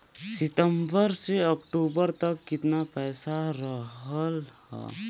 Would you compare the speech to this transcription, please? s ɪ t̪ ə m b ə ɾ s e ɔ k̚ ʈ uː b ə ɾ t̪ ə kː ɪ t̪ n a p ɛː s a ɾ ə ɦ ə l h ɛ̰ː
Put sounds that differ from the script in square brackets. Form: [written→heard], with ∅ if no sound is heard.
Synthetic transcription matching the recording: s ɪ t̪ ə m b ə ɾ s e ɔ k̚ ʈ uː b ə ɾ t̪ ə kː ɪ t̪ n a p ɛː s a ɾ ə ɦ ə l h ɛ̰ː